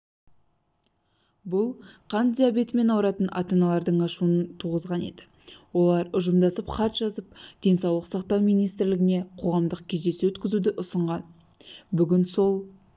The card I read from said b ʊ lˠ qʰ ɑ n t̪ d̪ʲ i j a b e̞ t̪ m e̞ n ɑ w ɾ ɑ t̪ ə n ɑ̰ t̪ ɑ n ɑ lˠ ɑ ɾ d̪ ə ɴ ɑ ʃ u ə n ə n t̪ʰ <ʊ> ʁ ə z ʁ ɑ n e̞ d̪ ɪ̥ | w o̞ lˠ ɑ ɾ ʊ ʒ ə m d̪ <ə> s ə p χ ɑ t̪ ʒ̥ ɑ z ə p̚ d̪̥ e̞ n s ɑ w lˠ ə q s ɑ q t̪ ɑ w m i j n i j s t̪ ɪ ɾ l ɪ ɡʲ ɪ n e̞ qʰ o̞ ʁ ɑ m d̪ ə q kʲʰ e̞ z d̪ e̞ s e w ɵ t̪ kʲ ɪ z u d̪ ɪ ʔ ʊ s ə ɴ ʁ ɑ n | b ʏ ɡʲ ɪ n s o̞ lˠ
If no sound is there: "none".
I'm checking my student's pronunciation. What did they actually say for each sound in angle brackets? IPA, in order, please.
u, ɑ

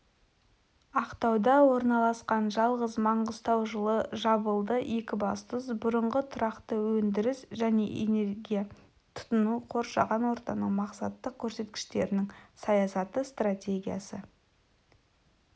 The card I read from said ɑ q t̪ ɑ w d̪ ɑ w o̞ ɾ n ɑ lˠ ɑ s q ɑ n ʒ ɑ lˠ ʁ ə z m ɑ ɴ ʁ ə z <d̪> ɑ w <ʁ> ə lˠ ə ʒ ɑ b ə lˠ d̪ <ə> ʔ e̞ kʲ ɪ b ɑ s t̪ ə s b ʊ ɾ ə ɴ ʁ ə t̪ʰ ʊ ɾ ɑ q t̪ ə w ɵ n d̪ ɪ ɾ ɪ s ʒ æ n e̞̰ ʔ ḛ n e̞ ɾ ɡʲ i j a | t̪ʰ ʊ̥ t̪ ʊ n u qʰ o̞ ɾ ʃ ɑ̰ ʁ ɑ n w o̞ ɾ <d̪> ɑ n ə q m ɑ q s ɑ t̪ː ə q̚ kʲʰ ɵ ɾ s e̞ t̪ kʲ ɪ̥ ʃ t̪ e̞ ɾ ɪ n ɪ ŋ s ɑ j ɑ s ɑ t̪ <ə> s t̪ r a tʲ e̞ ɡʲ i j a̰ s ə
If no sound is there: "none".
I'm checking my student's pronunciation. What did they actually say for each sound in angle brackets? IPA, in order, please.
t̪, ʒ, ə, t̪, ə

